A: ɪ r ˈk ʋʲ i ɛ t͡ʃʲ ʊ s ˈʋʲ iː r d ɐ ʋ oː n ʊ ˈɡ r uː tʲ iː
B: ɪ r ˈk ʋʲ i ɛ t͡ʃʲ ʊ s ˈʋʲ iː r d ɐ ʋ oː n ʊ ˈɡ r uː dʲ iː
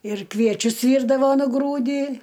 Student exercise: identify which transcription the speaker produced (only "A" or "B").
B